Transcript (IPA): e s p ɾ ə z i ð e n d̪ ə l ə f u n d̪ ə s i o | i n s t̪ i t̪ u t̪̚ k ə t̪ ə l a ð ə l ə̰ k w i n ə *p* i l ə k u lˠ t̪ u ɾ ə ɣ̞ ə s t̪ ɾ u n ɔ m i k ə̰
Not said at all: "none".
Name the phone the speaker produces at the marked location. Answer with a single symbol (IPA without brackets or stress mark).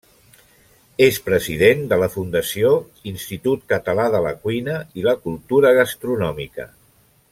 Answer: none